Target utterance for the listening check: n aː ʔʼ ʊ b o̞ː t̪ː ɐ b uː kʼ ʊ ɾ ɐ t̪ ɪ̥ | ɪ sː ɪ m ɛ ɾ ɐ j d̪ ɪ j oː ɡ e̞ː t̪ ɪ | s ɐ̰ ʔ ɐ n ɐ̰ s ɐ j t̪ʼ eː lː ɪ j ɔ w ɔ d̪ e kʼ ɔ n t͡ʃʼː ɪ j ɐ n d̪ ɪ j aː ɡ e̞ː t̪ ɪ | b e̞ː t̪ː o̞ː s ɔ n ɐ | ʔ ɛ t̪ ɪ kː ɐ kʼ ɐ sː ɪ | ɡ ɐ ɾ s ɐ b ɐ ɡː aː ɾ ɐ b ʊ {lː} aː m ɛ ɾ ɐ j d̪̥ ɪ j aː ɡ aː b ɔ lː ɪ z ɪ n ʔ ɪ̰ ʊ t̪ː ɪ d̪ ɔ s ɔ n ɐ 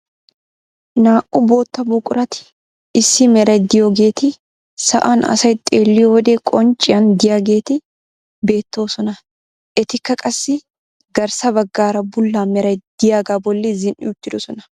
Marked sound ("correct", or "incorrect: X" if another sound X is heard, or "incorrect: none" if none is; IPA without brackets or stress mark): correct